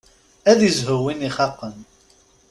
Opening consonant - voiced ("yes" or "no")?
yes